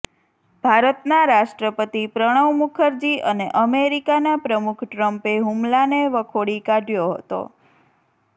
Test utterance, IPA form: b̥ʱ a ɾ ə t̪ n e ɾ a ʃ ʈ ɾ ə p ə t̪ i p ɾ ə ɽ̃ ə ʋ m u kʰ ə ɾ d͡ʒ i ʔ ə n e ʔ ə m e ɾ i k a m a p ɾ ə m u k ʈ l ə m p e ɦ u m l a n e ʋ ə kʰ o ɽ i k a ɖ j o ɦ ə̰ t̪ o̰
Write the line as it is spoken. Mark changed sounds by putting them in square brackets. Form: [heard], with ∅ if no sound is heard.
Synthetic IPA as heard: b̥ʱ a ɾ ə t̪ n [a] ɾ a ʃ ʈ ɾ ə p ə t̪ i p ɾ ə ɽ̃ ə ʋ m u kʰ ə ɾ d͡ʒ i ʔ ə n e ʔ ə m e ɾ i k a [n] a p ɾ ə m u [kʰ] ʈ [ɾ] ə m p e ɦ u m l a n e ʋ ə kʰ o ɽ i k a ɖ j o ɦ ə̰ t̪ o̰